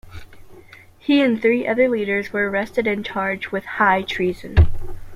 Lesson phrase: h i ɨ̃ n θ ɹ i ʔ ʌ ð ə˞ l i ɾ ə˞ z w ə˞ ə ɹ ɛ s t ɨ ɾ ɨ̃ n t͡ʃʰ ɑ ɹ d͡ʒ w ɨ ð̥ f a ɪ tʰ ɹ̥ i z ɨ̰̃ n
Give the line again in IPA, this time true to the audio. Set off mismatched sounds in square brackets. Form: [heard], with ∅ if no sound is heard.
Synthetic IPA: h i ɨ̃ n θ ɹ i ʔ ʌ ð ə˞ l i ɾ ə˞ z w ə˞ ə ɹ ɛ s t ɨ ɾ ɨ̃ n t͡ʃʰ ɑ ɹ d͡ʒ w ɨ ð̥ [h] a ɪ tʰ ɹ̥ i z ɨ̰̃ n